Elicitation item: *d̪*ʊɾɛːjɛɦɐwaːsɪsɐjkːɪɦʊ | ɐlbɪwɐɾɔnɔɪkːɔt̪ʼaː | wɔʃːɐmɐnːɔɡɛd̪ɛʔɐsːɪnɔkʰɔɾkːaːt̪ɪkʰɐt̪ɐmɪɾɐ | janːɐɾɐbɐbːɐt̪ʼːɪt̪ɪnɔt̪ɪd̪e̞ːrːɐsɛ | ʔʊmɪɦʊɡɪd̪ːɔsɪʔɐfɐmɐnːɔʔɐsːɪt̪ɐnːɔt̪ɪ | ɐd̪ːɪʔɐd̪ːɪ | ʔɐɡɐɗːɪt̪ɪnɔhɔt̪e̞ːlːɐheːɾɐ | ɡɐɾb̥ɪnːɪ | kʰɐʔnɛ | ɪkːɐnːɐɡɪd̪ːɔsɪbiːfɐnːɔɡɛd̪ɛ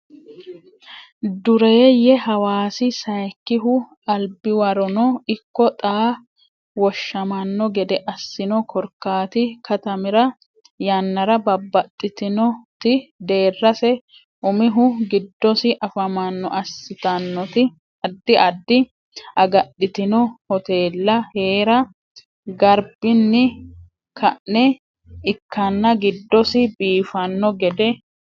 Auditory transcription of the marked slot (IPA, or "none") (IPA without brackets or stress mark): d̪